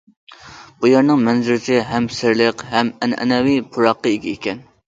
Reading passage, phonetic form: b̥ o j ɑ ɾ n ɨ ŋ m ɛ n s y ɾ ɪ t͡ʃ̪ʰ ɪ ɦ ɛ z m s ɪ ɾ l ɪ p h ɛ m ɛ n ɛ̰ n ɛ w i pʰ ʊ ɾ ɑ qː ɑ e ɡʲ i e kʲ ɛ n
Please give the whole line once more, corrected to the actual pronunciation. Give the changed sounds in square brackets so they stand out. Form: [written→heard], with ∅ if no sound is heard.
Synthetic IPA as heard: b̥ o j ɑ ɾ n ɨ ŋ m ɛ n [s→z] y ɾ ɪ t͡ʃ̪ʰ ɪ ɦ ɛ [z→∅] m s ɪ ɾ l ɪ [p→q] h ɛ m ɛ n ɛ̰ n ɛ w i pʰ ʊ ɾ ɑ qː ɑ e ɡʲ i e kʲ ɛ n